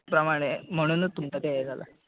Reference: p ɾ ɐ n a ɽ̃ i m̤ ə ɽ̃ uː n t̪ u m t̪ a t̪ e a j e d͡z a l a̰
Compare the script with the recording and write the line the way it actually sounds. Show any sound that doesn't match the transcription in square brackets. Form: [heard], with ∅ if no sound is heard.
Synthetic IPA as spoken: p ɾ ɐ [m] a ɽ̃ [e] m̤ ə ɽ̃ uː n t̪ u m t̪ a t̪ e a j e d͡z a l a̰